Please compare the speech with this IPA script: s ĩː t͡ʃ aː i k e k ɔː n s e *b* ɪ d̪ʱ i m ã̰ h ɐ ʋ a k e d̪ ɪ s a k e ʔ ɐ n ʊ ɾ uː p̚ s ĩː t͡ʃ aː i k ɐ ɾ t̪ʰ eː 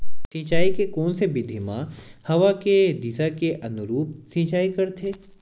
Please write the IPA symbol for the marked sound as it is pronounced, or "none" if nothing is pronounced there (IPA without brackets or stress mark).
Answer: b